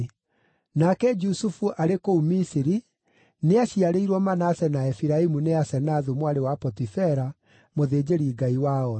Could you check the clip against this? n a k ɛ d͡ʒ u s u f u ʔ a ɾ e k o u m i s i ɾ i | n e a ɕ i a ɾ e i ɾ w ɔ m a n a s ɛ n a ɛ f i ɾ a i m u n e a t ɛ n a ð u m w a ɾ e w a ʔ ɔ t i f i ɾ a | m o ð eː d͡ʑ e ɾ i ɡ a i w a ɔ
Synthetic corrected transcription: n a k ɛ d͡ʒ u s u f u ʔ a ɾ e k o u m i s i ɾ i | n e a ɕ i a ɾ e i ɾ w ɔ m a n a s ɛ n a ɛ f i ɾ a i m u n e a s ɛ n a ð u m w a ɾ e w a p ɔ t i f ɛ ɾ a | m o ð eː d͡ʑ e ɾ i ɡ a i w a ɔ